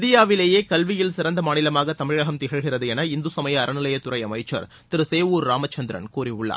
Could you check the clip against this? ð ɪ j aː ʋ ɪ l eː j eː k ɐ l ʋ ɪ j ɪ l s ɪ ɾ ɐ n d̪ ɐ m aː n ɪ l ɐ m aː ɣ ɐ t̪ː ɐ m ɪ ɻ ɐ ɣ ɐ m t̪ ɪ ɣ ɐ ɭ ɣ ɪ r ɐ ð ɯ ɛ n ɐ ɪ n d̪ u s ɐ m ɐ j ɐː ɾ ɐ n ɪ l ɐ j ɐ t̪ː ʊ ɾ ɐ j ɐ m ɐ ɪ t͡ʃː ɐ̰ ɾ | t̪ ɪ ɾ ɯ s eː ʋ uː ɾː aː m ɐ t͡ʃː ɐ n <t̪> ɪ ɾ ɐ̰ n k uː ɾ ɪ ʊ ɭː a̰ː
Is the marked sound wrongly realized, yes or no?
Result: yes